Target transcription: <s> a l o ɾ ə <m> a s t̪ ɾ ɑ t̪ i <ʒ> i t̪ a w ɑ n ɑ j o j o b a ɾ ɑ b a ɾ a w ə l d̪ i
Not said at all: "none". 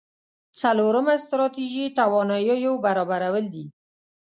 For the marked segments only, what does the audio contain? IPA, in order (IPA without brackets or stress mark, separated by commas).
t͡s, m, ʒ